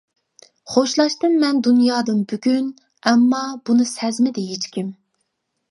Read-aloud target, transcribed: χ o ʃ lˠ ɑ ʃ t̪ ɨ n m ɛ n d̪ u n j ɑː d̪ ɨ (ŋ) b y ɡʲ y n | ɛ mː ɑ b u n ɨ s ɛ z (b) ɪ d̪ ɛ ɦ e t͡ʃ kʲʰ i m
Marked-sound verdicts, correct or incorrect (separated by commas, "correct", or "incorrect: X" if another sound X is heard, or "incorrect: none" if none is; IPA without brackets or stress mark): incorrect: n, incorrect: m